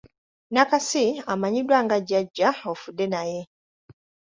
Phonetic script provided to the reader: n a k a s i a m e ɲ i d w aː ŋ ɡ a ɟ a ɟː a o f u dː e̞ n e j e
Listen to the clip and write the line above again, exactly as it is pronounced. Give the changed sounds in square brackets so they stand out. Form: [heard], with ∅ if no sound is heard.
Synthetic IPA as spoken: n a k a s i a m [a] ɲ i d w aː ŋ ɡ a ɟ a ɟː a o f u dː e̞ n [a] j e